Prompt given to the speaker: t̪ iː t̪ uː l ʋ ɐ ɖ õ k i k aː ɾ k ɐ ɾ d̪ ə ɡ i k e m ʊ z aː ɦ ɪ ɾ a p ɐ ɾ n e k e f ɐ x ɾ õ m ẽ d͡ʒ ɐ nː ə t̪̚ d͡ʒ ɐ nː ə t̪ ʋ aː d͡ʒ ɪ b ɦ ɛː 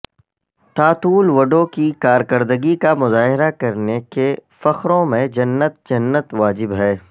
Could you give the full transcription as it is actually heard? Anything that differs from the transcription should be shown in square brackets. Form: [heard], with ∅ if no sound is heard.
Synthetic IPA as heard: t̪ [aː] t̪ uː l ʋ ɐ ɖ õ k i k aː ɾ k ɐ ɾ d̪ ə ɡ i k [a] m ʊ z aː ɦ ɪ ɾ a [k] ɐ ɾ n e k e f ɐ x ɾ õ m ẽ d͡ʒ ɐ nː ə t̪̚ d͡ʒ ɐ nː ə t̪ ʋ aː d͡ʒ ɪ b ɦ ɛː

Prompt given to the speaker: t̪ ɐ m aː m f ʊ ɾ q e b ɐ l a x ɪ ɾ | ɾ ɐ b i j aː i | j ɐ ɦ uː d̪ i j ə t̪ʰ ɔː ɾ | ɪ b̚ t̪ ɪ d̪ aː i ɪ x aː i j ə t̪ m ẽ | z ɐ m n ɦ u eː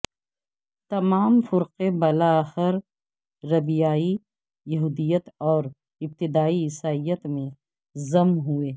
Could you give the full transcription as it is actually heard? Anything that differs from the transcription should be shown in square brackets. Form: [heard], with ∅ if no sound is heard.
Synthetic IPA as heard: t̪ ɐ m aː m f ʊ ɾ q e b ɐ l a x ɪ ɾ | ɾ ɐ b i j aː i | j ɐ ɦ uː d̪ i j ə [t̪] ɔː ɾ | ɪ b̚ t̪ ɪ d̪ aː i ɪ [s] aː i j ə t̪ m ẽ | z ɐ m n ɦ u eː

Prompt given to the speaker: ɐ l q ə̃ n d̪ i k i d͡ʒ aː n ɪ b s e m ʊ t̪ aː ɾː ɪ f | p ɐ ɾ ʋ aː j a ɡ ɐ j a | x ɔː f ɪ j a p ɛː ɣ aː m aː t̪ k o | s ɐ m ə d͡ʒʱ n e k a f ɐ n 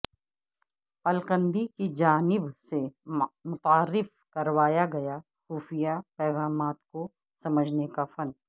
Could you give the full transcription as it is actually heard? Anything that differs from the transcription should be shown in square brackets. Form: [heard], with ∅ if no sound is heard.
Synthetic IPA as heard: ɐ l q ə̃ n d̪ i k i d͡ʒ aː n ɪ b s e m ʊ t̪ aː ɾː ɪ f | [k] ɐ ɾ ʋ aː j a ɡ ɐ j a | x [uː] f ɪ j a p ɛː ɣ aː m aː t̪ k o | s ɐ m ə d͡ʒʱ n e k a f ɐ n

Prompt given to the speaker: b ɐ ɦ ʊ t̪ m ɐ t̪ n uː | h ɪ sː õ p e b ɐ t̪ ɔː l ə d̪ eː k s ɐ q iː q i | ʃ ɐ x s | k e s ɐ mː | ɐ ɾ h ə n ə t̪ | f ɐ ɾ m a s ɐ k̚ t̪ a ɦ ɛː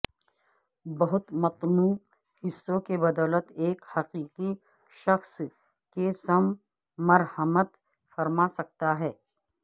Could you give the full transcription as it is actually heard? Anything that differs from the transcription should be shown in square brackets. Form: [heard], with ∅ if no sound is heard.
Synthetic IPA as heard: b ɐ ɦ ʊ t̪ m ɐ t̪ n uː | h ɪ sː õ [k] e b ɐ [d̪] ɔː l ə [t̪] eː k [h] ɐ q iː q i | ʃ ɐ x s | k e s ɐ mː | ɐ ɾ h ə [m] ə t̪ | f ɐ ɾ m a s ɐ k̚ t̪ a ɦ ɛː

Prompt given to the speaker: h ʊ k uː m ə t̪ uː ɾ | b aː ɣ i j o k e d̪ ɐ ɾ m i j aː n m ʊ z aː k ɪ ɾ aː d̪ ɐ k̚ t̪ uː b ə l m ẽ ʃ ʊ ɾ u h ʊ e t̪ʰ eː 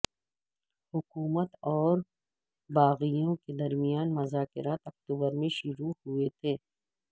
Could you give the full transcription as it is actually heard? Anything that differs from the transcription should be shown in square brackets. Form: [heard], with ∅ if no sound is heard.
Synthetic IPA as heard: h ʊ k uː m ə t̪ [ɔː] ɾ | b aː ɣ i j [õ] k e d̪ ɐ ɾ m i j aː n m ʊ z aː k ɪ ɾ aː [t̪] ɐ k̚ t̪ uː b ə [ɾ] m ẽ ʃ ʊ ɾ u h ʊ e t̪ʰ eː

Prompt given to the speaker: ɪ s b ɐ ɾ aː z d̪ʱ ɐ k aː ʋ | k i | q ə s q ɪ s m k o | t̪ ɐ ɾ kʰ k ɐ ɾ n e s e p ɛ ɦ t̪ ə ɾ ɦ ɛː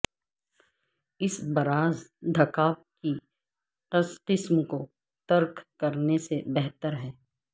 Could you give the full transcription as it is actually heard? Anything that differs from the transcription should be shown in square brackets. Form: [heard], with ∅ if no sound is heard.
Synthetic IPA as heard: ɪ s b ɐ ɾ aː z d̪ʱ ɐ k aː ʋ | k i | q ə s q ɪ s m k o | t̪ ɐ ɾ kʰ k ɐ ɾ n e s e [b] ɛ ɦ t̪ ə ɾ ɦ ɛː

